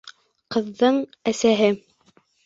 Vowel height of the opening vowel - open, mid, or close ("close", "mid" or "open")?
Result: mid